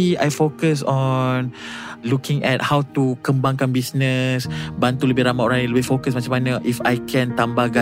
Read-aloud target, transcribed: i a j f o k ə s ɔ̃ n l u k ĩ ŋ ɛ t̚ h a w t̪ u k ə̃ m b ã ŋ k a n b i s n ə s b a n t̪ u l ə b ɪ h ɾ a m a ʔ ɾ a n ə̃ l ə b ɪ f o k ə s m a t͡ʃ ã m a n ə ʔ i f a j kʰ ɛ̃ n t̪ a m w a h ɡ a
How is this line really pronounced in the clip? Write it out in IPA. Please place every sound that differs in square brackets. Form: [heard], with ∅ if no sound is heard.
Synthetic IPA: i a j f o k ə s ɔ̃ n l u k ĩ ŋ ɛ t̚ h a w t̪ u k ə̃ m b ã ŋ k a n b i s n ə s b a n t̪ u l ə b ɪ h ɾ a m a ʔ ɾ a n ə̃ l ə b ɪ f o k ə s m a t͡ʃ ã m a n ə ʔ i f a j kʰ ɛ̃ n t̪ a m [b] a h ɡ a